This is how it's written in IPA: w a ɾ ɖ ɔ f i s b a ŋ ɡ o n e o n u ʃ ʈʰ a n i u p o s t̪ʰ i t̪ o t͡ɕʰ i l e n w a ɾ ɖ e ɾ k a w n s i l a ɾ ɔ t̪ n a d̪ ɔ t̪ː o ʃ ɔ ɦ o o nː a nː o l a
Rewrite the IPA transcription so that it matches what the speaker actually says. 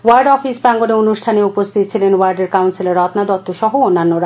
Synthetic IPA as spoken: w a ɾ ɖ ɔ f i s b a ŋ ɡ o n e o n u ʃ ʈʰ a n e u p o s t̪ʰ i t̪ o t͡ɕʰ i l e n w a ɾ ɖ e ɾ k a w n s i l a ɾ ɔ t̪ n a d̪ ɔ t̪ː o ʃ ɔ ɦ o o nː a nː o ɾ a